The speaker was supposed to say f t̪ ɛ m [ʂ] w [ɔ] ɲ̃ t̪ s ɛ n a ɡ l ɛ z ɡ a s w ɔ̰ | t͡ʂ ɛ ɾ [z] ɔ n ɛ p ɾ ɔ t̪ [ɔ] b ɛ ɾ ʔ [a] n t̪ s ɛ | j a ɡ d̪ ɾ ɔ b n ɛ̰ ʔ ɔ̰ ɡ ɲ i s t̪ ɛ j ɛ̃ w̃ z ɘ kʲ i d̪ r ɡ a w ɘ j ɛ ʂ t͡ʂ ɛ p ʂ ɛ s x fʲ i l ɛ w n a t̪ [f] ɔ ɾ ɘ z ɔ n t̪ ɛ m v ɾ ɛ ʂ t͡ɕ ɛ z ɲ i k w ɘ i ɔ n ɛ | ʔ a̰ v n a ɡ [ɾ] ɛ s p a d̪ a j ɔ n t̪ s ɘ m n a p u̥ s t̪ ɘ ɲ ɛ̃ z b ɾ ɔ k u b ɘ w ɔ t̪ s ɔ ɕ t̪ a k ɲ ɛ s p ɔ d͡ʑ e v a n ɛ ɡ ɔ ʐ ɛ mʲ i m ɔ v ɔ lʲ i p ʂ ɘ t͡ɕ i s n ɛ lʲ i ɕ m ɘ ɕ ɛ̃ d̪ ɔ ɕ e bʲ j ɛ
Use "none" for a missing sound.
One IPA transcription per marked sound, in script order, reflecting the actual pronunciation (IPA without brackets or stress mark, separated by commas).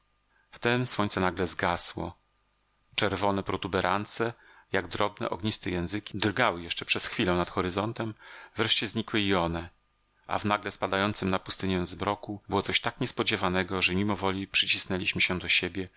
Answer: s, ɔ, v, u, a, x, l